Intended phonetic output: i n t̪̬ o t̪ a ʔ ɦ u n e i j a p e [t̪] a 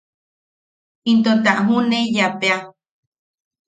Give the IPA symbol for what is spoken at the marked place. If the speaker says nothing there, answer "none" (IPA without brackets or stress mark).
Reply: none